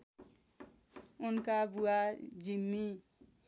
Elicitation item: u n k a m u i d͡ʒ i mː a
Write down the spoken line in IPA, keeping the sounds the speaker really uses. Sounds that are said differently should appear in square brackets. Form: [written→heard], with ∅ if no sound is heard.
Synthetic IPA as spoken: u n k a [m→b] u [i→a] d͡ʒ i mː [a→i]